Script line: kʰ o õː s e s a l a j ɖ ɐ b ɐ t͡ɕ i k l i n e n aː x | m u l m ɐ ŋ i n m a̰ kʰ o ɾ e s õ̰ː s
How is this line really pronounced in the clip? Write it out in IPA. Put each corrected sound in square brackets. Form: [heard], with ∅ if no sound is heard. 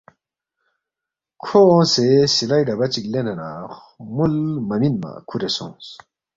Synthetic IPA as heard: kʰ o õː s e s [i] l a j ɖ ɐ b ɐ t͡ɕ i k l [e] n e n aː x | m u l m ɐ [m] i n m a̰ kʰ [u] ɾ e s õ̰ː s